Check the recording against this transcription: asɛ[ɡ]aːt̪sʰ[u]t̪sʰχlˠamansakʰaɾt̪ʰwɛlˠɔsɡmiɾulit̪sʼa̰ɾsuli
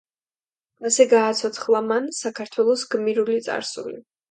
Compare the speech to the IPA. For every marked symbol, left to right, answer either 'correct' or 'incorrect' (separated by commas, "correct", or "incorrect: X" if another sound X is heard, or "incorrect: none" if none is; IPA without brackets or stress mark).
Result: correct, incorrect: ɔ